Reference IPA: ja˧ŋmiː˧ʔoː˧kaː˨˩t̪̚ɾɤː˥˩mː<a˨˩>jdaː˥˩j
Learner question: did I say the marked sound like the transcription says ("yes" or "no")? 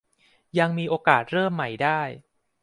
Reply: yes